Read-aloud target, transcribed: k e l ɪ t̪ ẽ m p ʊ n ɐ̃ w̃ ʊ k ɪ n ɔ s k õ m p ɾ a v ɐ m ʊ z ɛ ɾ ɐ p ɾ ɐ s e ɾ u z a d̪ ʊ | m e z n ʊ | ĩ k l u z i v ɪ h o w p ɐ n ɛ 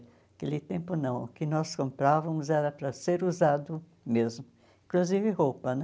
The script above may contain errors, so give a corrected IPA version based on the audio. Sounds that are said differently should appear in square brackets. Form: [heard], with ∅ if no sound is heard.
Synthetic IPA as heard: k e l ɪ t̪ ẽ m p ʊ n ɐ̃ w̃ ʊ k ɪ n ɔ s k õ m p ɾ a v ɐ m ʊ z ɛ ɾ ɐ p ɾ ɐ s e ɾ u z a d̪ ʊ | m e z [m] ʊ | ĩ k l u z i v ɪ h o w p ɐ n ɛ